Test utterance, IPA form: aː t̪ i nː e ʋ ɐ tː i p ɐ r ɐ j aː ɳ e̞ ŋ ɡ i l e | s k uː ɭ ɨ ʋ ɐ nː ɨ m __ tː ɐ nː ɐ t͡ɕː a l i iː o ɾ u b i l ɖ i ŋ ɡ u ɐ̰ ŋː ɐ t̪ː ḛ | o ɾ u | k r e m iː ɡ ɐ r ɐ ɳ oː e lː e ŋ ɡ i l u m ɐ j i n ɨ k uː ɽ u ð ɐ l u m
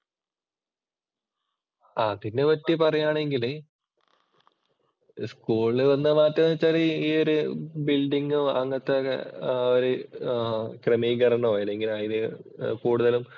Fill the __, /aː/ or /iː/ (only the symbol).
aː